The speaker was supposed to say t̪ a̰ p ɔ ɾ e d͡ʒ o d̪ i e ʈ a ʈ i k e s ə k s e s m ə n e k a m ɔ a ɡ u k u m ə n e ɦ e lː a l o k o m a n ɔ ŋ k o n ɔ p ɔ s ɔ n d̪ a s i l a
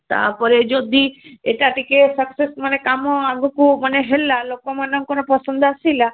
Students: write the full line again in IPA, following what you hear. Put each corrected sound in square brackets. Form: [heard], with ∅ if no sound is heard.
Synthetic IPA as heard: t̪ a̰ p ɔ ɾ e d͡ʒ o d̪ i e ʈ a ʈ i k e s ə k s e s m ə n e k a m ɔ a ɡ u k u m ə n e ɦ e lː a l o k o m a n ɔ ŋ k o n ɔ p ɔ s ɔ n d̪ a s i l a

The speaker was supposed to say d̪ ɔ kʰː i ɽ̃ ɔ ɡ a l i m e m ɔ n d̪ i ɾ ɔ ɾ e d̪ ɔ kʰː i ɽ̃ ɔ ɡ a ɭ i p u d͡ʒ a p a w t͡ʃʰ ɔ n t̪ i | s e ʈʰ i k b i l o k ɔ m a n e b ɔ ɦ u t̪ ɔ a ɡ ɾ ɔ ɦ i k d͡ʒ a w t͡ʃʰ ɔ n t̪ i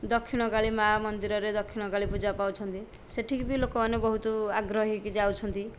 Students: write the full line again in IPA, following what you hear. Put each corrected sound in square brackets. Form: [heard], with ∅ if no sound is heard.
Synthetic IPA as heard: d̪ ɔ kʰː i ɽ̃ ɔ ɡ a [ɭ] i m [a] m ɔ n d̪ i ɾ ɔ ɾ e d̪ ɔ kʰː i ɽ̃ ɔ ɡ a ɭ i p u d͡ʒ a p a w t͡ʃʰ ɔ n t̪ i | s e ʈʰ i k b i l o k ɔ m a n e b ɔ ɦ u t̪ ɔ a ɡ ɾ ɔ ɦ i k d͡ʒ a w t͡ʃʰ ɔ n t̪ i

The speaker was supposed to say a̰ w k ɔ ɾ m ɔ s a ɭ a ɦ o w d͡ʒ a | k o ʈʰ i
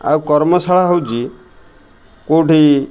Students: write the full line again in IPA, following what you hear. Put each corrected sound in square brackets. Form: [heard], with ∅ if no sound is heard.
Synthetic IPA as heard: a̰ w k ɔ ɾ m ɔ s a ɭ a ɦ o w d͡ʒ [i] | k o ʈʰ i

